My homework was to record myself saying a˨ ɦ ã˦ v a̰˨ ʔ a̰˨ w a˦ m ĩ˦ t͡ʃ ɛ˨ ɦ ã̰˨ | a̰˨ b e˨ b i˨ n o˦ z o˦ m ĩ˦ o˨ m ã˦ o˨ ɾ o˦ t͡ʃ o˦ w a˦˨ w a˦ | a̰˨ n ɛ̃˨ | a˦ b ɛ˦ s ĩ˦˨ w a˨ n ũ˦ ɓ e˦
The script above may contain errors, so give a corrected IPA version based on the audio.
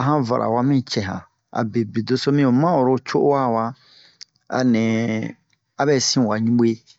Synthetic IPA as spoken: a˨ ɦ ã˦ v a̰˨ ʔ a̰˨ w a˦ m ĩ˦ t͡ʃ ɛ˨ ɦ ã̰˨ | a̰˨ b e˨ b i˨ d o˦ s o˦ m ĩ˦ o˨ m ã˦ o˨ ɾ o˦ t͡ʃ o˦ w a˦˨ w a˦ | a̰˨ n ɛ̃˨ | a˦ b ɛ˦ s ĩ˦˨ w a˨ ɲ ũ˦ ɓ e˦